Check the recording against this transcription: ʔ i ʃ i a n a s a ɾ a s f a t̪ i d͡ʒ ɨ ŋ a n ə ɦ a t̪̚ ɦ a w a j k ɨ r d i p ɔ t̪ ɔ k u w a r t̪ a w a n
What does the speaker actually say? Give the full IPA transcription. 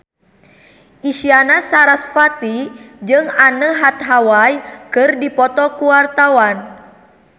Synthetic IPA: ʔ i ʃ i a n a s a ɾ a s f a t̪ i d͡ʒ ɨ ŋ a n ə ɦ a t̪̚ ɦ a w a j k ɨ r d i p ɔ t̪ ɔ k u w a r t̪ a w a n